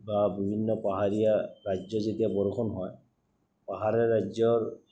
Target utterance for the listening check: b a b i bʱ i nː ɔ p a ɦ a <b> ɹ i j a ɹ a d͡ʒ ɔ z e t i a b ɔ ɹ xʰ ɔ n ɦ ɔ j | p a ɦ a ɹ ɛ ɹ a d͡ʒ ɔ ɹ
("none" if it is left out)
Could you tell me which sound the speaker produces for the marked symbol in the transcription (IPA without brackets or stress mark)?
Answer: none